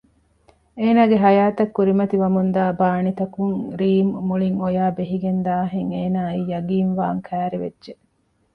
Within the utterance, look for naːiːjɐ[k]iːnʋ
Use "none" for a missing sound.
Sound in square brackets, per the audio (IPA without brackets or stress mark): ɡ